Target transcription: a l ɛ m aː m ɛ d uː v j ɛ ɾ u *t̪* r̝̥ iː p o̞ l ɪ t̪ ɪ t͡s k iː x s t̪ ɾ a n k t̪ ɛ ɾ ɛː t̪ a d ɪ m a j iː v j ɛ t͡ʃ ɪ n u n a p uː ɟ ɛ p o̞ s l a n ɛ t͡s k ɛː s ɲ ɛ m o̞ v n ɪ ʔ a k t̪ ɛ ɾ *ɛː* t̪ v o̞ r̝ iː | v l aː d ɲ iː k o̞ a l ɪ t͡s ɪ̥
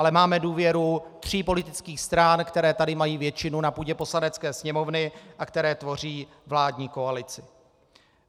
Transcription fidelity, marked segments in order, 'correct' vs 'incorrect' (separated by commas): correct, correct